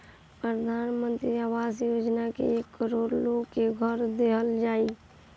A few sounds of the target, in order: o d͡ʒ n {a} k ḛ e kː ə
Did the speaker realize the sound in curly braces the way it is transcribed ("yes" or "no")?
yes